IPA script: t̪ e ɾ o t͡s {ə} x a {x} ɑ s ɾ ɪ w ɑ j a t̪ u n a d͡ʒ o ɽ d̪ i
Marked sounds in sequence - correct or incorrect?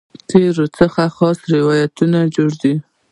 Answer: correct, correct

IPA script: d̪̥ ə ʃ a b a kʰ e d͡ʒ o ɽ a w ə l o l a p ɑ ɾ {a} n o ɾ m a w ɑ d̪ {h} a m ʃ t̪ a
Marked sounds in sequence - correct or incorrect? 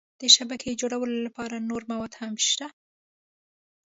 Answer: correct, correct

